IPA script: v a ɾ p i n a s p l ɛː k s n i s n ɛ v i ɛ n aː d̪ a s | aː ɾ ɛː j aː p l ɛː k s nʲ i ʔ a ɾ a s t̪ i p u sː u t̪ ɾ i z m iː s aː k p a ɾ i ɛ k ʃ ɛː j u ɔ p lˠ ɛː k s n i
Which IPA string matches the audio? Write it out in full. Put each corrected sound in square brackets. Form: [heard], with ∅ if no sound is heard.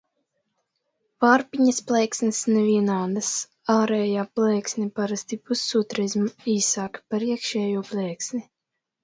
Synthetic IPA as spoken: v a ɾ p i [ɲ] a s p l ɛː k s n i s n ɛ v i ɛ n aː d̪ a s | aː ɾ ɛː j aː p l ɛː k s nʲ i [p] a ɾ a s t̪ i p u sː u t̪ ɾ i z m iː s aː k p a ɾ i ɛ k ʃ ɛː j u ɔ p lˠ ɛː k s n i